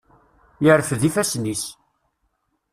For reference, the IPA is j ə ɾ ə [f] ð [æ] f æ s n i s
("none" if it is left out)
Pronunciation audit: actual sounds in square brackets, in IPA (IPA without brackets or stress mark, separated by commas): f, i